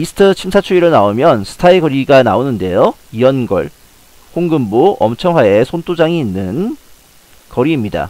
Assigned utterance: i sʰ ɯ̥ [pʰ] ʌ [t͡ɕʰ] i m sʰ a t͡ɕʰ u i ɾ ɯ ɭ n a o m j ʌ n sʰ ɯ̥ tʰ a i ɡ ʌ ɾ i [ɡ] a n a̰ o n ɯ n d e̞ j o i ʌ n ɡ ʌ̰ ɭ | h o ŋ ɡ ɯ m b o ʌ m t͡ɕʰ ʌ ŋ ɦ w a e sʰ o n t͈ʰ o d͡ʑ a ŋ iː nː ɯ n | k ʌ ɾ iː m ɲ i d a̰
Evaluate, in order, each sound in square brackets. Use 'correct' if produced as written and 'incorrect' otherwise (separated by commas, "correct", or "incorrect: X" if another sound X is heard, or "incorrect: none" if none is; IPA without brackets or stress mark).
incorrect: tʰ, correct, correct